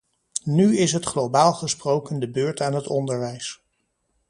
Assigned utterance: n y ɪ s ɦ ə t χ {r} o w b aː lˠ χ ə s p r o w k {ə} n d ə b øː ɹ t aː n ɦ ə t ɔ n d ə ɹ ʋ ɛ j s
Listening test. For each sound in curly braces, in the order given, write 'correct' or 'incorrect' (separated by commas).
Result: incorrect, correct